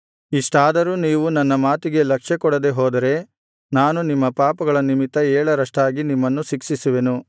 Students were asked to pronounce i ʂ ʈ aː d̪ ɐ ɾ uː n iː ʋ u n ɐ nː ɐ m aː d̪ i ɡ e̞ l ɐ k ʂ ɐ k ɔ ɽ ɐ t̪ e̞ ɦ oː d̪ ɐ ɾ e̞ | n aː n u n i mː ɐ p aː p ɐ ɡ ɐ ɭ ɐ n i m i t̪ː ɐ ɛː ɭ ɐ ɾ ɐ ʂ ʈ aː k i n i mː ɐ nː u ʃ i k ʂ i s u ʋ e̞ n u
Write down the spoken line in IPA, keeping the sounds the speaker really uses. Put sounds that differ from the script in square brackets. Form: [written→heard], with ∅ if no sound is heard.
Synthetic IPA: i ʂ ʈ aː d̪ ɐ ɾ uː n iː ʋ u n ɐ nː ɐ m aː [d̪→t̪] i ɡ e̞ l ɐ k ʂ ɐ k ɔ ɽ ɐ [t̪→d̪] e̞ ɦ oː d̪ ɐ ɾ e̞ | n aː n u n i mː ɐ p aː p ɐ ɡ ɐ ɭ ɐ n i m i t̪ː ɐ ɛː ɭ ɐ ɾ ɐ ʂ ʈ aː [k→ɡ] i n i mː ɐ nː u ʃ i k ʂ i s u ʋ e̞ n u